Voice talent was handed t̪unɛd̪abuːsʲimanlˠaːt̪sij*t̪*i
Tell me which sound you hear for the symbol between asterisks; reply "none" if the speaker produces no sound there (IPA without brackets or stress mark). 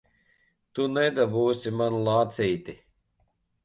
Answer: t̪